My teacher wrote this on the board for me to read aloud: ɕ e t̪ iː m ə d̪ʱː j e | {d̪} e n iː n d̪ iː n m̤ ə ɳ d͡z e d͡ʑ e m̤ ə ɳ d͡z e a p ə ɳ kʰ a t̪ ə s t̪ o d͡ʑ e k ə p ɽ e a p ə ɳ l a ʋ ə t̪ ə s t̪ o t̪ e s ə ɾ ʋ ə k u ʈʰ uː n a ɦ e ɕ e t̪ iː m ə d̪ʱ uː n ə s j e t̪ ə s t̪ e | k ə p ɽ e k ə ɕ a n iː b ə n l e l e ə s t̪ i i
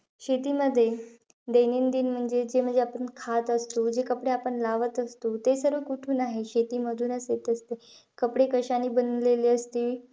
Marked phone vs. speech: correct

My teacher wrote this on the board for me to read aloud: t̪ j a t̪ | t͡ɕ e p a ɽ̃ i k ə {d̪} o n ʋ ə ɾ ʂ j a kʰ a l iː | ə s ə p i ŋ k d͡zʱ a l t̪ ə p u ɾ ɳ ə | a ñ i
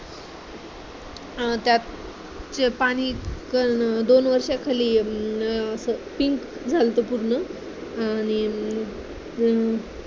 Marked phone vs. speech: correct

